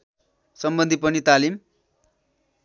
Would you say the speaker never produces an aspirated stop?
yes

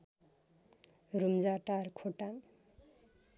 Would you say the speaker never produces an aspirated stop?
no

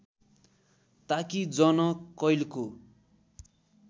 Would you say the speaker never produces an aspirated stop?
yes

